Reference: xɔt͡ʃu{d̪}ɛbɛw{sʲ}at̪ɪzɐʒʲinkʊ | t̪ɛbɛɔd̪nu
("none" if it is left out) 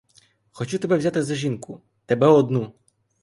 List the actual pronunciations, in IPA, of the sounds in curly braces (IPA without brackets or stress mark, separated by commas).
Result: t̪, zʲ